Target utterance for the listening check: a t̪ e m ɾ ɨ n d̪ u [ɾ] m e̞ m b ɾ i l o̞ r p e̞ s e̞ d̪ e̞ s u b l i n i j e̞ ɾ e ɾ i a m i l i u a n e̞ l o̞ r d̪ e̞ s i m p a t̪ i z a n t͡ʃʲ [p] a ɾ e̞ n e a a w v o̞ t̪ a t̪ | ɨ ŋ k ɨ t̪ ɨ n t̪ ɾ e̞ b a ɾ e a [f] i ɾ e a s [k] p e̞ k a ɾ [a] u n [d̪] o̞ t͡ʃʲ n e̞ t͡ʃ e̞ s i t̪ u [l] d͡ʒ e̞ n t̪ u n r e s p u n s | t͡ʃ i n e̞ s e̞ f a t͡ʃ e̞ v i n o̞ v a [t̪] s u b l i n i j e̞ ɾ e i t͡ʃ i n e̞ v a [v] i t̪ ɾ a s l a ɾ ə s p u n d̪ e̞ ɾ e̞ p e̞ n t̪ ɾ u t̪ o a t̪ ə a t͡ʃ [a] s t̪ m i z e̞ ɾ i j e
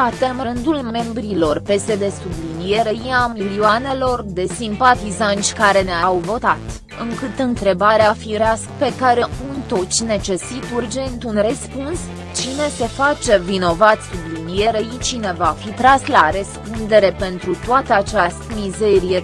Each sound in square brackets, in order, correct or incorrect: incorrect, incorrect, correct, correct, incorrect, incorrect, incorrect, correct, incorrect, correct

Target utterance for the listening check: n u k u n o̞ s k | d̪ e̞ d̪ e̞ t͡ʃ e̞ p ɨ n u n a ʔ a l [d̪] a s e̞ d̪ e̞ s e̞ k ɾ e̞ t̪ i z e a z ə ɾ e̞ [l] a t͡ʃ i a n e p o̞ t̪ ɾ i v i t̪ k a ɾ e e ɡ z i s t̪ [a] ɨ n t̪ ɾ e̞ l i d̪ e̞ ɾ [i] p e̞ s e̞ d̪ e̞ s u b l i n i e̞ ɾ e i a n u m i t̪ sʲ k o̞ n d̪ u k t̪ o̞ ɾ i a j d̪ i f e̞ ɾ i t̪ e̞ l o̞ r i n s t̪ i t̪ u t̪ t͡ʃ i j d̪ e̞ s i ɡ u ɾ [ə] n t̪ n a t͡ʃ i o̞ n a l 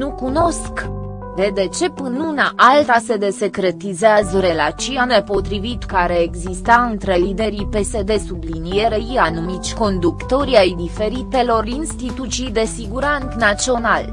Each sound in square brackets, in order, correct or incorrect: incorrect, correct, correct, correct, incorrect

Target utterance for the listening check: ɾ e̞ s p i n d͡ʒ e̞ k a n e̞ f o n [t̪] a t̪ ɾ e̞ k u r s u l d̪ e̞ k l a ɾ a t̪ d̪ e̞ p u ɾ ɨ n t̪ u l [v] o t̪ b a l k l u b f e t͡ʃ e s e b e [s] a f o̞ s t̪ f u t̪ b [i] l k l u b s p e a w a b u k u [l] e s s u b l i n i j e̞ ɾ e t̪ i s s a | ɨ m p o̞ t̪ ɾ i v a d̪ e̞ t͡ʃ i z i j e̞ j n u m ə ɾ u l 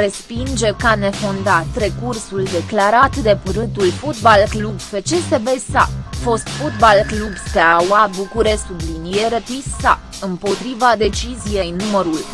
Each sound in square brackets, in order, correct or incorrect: incorrect, incorrect, correct, incorrect, incorrect

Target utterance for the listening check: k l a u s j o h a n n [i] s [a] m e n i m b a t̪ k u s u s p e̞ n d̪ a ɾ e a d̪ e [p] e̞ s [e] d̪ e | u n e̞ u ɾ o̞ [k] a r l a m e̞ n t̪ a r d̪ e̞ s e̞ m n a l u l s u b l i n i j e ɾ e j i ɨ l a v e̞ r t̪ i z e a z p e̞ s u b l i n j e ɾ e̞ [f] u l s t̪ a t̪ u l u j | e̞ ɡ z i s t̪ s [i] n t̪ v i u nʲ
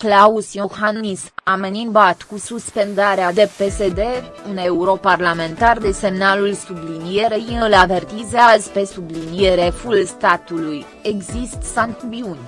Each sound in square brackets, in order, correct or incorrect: correct, correct, correct, correct, incorrect, correct, incorrect

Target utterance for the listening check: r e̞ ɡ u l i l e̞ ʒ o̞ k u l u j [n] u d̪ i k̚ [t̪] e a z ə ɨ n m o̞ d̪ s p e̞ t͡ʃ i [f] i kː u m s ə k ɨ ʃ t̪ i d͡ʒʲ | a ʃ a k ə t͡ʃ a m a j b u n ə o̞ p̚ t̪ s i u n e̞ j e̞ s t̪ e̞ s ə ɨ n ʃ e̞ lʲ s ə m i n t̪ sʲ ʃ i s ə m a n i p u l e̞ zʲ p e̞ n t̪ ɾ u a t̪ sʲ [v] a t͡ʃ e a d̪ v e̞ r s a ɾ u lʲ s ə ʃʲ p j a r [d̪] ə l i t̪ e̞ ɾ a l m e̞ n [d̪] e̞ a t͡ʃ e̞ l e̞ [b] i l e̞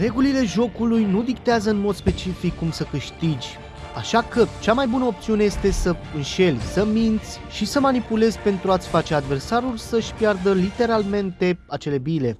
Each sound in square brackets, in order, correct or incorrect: correct, correct, correct, incorrect, correct, incorrect, correct

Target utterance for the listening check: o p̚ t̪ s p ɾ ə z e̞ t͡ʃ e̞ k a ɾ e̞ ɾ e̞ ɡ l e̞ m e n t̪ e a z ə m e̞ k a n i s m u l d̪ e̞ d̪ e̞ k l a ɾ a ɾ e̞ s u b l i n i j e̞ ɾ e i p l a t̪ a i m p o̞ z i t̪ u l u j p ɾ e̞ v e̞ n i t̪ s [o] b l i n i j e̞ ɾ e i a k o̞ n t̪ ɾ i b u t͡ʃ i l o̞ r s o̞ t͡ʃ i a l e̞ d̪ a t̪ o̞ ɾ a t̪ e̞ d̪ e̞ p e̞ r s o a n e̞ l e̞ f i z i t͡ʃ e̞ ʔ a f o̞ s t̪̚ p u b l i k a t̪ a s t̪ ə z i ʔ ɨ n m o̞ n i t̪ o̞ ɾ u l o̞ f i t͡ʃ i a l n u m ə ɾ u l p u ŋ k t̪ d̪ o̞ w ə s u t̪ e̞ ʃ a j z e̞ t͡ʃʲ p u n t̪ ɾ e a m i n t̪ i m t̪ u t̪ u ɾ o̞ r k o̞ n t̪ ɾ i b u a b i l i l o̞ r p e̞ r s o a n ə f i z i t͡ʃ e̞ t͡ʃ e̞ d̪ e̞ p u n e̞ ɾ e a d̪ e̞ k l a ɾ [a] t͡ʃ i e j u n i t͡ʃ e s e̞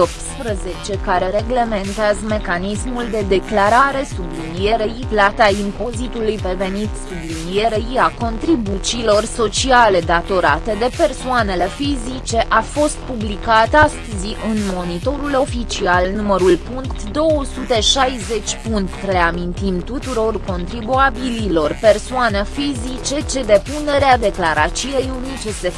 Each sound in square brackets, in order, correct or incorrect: incorrect, correct

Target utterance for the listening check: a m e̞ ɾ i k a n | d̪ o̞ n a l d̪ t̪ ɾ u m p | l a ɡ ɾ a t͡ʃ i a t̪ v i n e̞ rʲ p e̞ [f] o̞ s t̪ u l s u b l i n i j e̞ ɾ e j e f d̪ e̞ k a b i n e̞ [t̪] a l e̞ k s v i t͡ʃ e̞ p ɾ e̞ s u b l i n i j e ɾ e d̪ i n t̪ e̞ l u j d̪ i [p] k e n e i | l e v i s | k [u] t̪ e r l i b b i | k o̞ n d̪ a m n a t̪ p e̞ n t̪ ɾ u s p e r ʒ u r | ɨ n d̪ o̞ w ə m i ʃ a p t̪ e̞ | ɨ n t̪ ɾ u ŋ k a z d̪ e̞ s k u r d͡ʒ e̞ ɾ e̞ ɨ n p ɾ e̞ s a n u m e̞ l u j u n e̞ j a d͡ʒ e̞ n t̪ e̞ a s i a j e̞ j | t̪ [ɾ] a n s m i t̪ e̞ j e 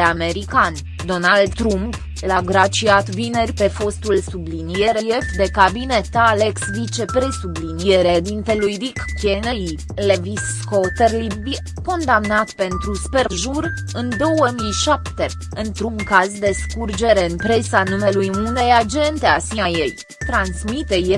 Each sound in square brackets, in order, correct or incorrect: correct, correct, incorrect, incorrect, correct

